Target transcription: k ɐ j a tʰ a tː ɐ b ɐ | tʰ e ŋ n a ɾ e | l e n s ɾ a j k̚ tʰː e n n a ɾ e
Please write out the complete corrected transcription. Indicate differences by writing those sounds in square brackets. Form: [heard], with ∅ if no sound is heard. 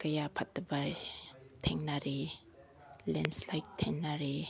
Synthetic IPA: k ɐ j a [pʰ] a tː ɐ b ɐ | tʰ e ŋ n a ɾ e | l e n s [l] a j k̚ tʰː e [ŋ] n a ɾ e